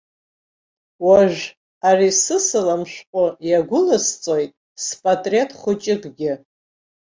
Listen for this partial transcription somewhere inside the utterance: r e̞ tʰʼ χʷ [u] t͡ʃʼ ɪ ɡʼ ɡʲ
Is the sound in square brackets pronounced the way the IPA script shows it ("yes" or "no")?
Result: no